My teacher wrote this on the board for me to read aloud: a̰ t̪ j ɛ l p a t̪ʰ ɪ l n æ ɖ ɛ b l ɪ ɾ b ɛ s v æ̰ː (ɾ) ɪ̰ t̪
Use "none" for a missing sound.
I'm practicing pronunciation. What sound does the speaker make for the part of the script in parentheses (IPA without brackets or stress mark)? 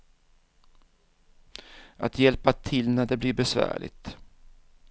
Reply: ɭ